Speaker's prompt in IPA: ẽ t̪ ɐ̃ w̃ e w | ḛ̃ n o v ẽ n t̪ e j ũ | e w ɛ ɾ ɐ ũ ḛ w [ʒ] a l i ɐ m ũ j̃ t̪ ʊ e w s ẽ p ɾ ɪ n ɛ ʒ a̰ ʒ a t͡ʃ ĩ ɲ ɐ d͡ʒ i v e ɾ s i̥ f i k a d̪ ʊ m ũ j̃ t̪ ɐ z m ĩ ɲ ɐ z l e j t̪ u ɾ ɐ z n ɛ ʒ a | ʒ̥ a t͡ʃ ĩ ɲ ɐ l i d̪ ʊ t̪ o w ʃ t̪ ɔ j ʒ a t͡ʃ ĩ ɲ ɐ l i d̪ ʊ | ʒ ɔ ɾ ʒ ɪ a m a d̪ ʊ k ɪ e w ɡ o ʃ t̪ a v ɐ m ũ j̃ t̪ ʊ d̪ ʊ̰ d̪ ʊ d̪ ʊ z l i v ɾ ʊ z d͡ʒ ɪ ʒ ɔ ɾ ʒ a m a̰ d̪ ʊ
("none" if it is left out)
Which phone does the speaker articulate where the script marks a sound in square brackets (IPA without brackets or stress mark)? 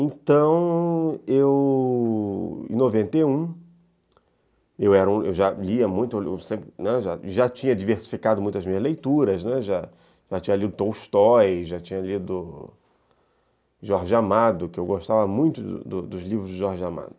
ʒ